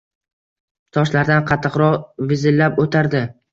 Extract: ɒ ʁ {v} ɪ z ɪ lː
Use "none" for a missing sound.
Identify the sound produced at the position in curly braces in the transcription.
v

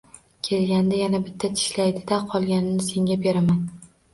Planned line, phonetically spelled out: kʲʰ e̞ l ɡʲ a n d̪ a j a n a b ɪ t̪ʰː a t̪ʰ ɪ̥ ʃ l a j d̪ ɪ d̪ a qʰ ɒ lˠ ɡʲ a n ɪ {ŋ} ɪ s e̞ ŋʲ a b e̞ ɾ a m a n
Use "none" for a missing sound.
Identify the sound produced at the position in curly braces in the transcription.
n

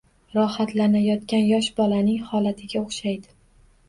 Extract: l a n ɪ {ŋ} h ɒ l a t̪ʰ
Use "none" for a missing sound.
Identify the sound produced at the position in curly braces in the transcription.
ŋ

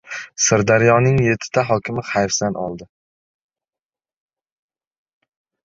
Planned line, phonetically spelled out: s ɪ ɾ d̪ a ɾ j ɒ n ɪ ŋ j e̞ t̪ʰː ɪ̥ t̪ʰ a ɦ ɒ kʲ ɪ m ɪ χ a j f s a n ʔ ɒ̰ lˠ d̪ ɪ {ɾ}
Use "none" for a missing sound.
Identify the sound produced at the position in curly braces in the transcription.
none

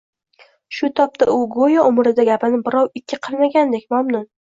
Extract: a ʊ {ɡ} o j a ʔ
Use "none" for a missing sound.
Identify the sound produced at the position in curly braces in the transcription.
ɡ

